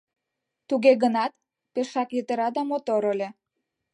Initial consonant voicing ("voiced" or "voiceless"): voiceless